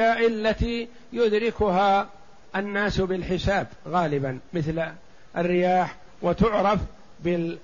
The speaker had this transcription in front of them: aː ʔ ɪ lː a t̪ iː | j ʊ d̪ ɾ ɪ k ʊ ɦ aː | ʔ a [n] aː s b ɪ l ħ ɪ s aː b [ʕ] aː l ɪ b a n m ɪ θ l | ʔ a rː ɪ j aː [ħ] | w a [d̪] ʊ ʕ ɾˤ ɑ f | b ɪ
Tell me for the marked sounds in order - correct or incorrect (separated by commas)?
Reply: incorrect, incorrect, correct, incorrect